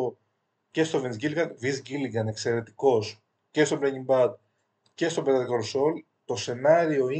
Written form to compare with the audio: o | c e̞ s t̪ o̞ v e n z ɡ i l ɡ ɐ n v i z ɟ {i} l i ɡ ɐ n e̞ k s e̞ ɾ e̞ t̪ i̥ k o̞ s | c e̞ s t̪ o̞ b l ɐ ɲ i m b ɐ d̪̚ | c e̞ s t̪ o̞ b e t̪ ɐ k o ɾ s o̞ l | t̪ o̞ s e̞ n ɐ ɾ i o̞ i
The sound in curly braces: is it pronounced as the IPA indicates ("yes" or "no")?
yes